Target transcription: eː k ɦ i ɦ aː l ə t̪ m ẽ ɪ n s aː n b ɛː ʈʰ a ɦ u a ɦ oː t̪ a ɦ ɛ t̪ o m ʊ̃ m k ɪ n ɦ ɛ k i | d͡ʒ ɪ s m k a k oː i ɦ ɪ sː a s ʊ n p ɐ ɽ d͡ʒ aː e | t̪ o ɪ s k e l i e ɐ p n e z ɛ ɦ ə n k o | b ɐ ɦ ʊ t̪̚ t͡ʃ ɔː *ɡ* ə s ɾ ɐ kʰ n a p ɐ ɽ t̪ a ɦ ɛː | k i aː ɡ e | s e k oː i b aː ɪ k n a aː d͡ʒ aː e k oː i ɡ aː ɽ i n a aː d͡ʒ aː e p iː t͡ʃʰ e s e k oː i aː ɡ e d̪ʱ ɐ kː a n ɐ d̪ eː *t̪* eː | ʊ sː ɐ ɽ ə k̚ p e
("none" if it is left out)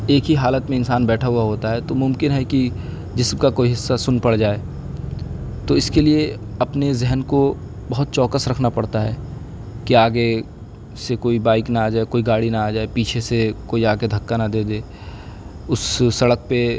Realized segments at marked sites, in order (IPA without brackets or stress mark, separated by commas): k, d̪